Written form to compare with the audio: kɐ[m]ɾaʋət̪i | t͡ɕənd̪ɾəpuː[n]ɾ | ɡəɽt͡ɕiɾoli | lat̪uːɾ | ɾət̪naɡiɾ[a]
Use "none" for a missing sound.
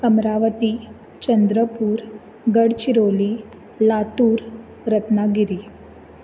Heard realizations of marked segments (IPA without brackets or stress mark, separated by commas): m, none, i